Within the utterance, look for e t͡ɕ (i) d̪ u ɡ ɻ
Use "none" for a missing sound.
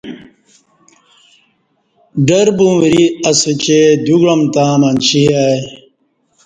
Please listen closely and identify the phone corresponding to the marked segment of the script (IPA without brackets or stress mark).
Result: e